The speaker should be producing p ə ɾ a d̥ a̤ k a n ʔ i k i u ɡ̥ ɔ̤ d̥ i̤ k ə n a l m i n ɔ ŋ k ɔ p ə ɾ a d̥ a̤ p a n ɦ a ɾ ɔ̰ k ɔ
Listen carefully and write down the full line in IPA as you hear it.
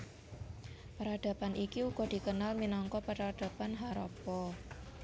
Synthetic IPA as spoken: p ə ɾ a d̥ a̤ p a n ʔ i k i u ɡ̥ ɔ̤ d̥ i̤ k ə n a l m i n ɔ ŋ k ɔ p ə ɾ a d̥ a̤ p a n ɦ a ɾ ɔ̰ p ɔ